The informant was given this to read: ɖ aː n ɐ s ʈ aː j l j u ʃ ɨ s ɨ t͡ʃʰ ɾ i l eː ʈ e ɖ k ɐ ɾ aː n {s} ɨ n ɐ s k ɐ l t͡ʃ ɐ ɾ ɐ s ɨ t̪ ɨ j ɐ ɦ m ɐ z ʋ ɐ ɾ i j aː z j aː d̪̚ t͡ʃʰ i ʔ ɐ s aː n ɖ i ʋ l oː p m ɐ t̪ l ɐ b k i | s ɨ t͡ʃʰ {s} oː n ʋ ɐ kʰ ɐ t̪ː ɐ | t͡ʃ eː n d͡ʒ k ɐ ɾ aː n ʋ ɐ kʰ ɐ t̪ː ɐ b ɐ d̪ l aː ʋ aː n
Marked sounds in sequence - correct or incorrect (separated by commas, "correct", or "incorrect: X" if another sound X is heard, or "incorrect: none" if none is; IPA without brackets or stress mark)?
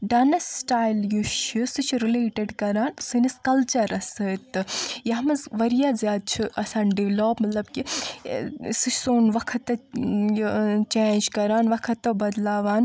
correct, correct